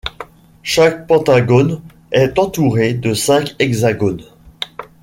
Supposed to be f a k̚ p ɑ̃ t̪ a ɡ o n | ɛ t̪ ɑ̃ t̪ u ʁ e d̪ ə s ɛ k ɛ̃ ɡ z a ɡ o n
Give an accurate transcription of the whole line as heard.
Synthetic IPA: ʃ a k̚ p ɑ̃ t̪ a ɡ o n | ɛ t̪ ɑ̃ t̪ u ʁ e d̪ ə s ɛ̃ k ɛ ɡ z a ɡ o n

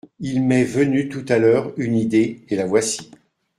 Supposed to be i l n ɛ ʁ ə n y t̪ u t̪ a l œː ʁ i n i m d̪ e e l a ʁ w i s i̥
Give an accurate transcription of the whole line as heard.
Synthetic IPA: i l m ɛ v ə n y t̪ u t̪ a l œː ʁ y n i d̪ e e l a v w a s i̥

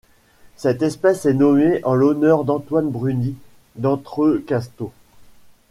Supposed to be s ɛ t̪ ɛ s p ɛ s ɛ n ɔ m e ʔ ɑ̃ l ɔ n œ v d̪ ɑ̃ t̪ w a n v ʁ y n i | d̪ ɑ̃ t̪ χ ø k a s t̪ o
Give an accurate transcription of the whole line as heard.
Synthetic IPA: s ɛ t̪ ɛ s p ɛ s ɛ n ɔ m e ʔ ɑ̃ l ɔ n œ ʁ d̪ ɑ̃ t̪ w a n b ʁ y n i | d̪ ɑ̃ t̪ χ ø k a s t̪ o

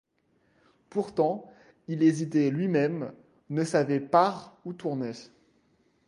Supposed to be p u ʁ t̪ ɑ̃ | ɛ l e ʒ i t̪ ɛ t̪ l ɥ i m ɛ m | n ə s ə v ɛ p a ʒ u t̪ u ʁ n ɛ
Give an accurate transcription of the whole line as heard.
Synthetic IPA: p u ʁ t̪ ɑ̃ | i l e z i t̪ ɛ l ɥ i m ɛ m | n ə s a v ɛ p a ʁ u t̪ u ʁ n ɛ

